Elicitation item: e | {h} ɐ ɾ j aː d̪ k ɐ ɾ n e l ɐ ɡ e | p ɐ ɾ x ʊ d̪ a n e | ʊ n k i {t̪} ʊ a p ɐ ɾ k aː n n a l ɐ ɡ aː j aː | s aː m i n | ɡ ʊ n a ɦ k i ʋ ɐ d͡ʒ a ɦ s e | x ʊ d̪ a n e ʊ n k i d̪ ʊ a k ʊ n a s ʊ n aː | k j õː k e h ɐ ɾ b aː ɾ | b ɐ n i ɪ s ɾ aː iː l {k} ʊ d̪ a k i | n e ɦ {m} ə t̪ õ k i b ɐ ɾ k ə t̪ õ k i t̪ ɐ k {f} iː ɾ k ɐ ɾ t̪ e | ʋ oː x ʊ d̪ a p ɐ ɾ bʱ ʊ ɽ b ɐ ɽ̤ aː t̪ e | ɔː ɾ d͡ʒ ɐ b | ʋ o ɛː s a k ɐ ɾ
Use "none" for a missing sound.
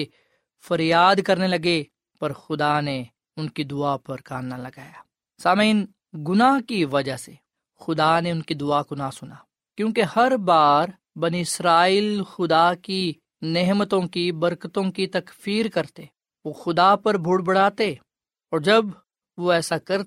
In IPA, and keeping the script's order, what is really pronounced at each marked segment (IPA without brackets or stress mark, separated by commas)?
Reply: f, d̪, x, m, f